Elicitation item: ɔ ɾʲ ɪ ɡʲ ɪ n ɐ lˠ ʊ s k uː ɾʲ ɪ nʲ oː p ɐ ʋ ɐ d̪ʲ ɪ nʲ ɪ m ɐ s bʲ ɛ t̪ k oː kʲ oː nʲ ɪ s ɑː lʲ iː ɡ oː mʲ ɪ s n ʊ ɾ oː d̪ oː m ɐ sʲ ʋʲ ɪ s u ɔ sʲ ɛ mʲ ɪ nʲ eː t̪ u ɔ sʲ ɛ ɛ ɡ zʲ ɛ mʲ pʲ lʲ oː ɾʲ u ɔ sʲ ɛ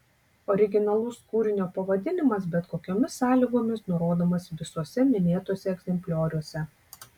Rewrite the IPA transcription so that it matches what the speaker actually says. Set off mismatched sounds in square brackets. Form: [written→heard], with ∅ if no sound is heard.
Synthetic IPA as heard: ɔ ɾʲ ɪ ɡʲ ɪ n ɐ lˠ ʊ s k uː ɾʲ ɪ nʲ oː p ɐ ʋ ɐ d̪ʲ ɪ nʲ ɪ m ɐ s bʲ ɛ t̪ k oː kʲ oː [nʲ→mʲ] ɪ s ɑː lʲ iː ɡ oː mʲ ɪ s n ʊ ɾ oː d̪ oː m ɐ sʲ ʋʲ ɪ s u ɔ sʲ ɛ mʲ ɪ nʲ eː t̪ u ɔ sʲ ɛ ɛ ɡ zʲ ɛ mʲ pʲ lʲ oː ɾʲ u ɔ sʲ ɛ